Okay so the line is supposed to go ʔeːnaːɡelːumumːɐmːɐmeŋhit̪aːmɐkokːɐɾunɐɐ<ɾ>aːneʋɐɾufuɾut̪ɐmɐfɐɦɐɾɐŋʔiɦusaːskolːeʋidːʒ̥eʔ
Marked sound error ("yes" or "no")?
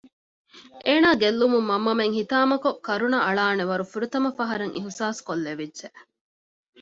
yes